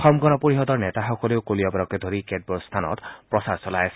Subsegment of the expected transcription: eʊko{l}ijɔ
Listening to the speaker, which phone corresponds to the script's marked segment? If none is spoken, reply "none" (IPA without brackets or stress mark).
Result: l